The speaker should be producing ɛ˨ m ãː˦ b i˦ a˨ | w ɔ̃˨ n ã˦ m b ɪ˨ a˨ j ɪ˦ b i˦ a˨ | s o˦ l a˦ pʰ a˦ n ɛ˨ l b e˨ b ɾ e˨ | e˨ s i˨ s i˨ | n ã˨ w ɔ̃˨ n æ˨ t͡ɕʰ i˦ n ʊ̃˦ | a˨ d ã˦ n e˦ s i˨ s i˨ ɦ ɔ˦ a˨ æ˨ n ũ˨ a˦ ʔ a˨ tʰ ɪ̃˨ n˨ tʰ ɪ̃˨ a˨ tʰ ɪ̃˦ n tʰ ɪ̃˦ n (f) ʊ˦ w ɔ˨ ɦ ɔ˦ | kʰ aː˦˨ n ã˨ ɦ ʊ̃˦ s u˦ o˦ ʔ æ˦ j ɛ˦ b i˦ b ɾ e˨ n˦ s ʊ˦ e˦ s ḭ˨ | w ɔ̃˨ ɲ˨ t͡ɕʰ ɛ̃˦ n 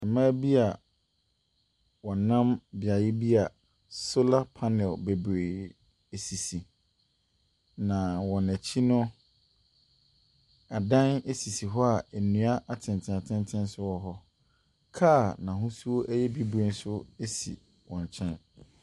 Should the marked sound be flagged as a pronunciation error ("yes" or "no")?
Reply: yes